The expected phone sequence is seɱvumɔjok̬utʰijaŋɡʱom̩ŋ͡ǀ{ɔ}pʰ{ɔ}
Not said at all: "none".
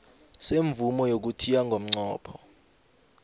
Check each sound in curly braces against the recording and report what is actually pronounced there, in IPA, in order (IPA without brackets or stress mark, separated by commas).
ɔː, ɔ